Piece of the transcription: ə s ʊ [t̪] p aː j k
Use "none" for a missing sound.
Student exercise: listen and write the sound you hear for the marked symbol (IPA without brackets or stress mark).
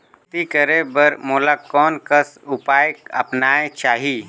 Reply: none